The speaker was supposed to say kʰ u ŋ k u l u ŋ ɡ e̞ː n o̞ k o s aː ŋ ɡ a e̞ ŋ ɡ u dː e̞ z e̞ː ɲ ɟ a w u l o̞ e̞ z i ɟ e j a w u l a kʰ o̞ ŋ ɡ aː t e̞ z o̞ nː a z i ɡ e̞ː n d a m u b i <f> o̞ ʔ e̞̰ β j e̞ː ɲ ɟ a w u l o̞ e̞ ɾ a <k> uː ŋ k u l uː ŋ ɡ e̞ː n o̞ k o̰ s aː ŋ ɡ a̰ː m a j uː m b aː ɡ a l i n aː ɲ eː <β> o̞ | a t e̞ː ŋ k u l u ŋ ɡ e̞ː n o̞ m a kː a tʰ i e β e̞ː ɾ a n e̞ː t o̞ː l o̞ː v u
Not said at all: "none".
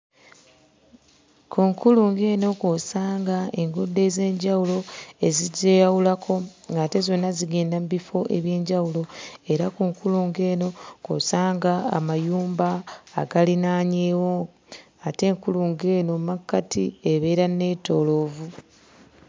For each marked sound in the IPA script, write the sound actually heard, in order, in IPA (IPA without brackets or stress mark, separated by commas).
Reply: f, k, w